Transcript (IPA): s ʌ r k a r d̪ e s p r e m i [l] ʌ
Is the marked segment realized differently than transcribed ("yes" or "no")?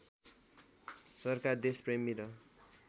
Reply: yes